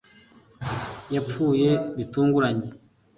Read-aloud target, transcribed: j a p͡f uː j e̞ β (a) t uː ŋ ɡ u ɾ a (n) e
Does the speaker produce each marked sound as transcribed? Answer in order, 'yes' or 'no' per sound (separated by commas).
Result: no, no